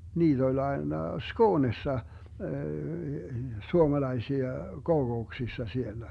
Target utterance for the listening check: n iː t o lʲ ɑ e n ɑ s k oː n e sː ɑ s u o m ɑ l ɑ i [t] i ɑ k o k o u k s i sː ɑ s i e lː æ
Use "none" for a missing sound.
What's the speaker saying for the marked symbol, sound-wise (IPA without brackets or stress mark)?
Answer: s